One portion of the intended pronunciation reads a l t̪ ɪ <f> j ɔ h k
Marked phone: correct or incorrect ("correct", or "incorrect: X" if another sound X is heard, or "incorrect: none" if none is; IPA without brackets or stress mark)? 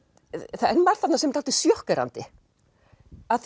incorrect: s